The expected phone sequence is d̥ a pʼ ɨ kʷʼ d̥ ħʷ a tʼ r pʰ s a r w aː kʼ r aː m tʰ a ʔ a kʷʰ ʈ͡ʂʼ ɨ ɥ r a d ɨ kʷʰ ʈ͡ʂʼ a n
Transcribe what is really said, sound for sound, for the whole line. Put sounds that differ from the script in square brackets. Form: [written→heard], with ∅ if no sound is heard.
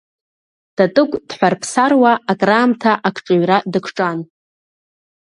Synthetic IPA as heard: d̥ a [pʼ→tʼ] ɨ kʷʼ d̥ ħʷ a [tʼ→∅] r pʰ s a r w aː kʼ r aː m tʰ a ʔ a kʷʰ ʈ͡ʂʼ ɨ ɥ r a d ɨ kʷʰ ʈ͡ʂʼ a n